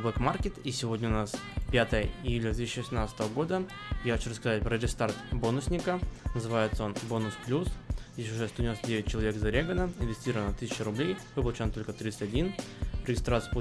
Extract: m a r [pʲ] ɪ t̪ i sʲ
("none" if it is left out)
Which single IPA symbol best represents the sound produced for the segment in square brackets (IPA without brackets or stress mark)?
kʲ